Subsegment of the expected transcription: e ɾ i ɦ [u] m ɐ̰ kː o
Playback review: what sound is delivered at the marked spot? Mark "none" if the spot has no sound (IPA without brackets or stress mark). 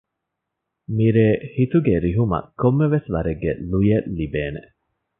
u